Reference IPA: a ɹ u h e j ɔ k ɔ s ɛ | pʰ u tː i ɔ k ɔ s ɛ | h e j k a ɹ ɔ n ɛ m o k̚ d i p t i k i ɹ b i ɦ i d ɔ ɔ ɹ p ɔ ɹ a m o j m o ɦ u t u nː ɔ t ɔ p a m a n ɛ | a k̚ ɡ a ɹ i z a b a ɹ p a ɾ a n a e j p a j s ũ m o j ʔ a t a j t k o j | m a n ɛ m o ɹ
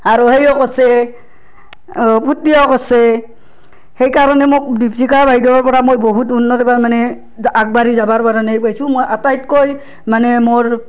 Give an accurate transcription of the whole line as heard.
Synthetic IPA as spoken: a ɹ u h e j ɔ k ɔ s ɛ | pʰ u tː i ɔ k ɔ s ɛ | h e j k a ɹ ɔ n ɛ m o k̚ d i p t i k a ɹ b a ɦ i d ɔ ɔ ɹ p ɔ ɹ a m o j b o ɦ u t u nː ɔ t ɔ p a m a n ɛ | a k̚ b a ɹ i z a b a ɹ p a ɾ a n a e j p a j s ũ m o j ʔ a t a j t k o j | m a n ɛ m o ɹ